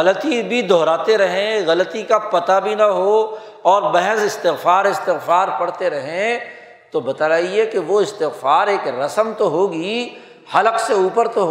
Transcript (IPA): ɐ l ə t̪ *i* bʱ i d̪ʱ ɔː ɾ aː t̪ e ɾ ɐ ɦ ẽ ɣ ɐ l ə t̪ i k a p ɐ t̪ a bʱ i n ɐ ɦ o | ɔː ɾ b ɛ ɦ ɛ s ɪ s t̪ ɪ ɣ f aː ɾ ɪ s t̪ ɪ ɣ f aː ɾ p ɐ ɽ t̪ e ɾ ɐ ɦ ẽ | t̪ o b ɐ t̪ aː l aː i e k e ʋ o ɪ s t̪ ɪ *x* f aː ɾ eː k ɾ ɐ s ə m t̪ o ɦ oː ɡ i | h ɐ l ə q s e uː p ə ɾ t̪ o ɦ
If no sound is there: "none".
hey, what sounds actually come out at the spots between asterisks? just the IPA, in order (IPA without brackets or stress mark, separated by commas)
i, ɣ